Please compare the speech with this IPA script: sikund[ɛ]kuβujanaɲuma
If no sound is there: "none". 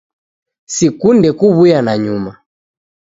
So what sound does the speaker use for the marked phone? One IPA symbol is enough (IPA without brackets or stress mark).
ɛ